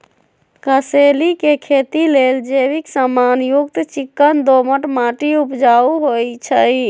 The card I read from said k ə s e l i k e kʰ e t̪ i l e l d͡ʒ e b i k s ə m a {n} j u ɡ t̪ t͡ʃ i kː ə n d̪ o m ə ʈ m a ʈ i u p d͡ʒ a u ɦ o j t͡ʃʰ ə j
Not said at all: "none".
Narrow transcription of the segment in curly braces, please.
n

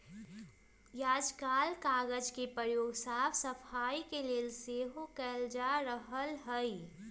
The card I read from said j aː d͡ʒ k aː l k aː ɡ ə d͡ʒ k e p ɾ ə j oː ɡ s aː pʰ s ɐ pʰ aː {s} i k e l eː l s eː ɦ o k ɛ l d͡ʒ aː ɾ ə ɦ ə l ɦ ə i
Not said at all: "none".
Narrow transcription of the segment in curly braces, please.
none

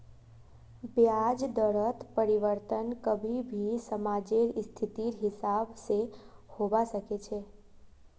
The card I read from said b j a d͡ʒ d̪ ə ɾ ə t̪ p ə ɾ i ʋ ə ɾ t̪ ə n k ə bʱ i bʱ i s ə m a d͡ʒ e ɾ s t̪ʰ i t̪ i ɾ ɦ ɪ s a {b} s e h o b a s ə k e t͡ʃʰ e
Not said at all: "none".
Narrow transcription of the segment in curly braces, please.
b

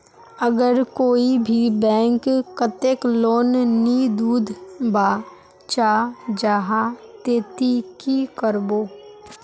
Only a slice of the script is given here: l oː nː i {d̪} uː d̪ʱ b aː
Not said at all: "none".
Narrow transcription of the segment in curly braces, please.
d̪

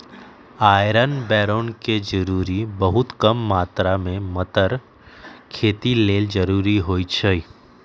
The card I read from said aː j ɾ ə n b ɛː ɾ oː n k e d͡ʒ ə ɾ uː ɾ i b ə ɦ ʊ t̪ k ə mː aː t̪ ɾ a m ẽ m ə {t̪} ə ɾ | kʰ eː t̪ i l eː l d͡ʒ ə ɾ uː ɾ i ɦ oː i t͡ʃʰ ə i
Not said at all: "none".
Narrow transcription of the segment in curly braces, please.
t̪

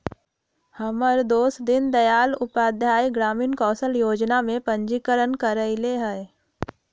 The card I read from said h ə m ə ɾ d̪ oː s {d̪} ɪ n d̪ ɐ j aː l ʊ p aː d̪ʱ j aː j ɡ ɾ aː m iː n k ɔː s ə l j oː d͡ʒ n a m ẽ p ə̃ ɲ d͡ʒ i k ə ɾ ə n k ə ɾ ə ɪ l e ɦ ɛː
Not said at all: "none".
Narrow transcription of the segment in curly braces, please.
d̪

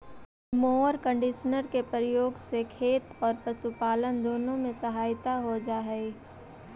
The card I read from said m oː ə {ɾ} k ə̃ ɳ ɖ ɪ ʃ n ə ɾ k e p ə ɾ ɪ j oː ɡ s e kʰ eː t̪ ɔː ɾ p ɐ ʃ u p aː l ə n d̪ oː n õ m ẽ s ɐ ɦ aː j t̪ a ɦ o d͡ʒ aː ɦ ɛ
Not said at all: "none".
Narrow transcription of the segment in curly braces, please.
ɾ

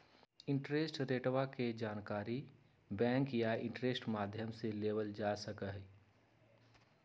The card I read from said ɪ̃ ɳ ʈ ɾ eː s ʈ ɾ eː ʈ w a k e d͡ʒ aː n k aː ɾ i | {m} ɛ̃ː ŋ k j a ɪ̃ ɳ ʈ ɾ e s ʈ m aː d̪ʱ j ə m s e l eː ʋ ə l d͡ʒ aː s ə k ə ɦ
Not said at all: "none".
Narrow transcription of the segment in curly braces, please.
b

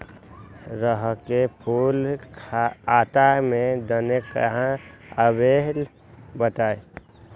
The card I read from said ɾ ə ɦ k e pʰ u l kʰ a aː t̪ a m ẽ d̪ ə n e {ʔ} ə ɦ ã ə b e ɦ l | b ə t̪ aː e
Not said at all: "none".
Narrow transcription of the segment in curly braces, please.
k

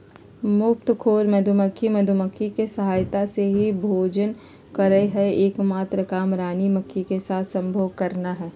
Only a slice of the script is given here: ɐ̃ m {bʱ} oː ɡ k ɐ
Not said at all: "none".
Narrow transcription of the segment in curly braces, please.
bʱ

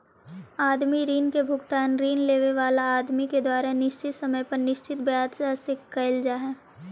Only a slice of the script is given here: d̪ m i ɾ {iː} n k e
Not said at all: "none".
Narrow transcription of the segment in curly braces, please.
iː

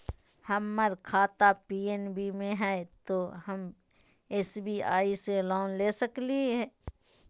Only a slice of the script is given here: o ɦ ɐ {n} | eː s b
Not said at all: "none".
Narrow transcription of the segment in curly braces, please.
m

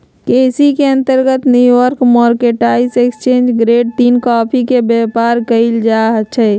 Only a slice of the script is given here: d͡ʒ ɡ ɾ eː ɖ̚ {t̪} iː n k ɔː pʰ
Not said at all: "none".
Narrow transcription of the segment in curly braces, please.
t̪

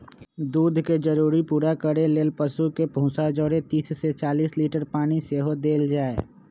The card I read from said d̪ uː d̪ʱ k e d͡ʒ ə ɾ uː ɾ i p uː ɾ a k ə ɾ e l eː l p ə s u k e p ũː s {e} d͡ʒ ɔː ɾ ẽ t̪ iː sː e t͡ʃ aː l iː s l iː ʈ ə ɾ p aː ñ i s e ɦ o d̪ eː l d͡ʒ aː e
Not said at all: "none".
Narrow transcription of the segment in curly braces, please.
a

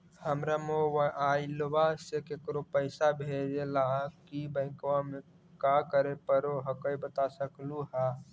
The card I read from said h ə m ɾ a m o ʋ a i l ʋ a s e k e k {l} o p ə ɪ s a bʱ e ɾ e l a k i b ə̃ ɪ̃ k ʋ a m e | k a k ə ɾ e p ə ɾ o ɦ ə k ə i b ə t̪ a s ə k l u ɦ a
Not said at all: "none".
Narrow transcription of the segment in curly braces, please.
ɾ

